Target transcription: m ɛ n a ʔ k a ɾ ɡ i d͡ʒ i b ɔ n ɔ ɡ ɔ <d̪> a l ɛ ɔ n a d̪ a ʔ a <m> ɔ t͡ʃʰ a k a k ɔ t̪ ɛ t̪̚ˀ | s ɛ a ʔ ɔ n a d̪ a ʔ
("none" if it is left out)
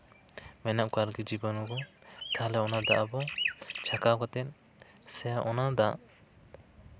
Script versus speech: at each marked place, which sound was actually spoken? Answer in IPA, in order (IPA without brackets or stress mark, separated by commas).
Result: t̪, b